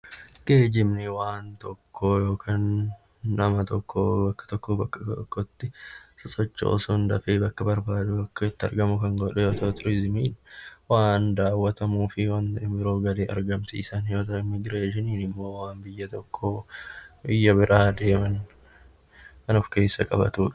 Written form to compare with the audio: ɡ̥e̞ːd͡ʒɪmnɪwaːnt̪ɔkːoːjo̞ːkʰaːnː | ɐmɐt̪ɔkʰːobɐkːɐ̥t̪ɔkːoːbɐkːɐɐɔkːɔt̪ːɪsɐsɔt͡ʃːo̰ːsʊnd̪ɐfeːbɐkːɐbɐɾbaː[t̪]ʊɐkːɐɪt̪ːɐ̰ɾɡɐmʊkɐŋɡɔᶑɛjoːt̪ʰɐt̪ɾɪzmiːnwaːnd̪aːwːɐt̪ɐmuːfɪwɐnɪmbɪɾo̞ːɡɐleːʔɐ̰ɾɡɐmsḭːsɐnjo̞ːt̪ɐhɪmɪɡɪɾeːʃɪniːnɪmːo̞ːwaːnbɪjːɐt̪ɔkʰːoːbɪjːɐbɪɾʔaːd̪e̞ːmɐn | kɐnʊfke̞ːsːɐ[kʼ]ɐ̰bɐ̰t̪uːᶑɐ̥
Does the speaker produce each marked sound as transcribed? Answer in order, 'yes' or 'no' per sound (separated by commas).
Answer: no, yes